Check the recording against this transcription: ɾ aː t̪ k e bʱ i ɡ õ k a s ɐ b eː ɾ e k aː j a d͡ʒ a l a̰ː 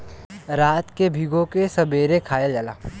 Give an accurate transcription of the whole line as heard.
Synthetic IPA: ɾ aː t̪ k e bʱ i ɡ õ k e s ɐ b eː ɾ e kʰ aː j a d͡ʒ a l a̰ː